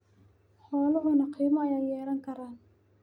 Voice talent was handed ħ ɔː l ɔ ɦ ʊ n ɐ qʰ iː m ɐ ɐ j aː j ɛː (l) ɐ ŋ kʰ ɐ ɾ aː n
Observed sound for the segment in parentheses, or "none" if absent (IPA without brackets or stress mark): ɾ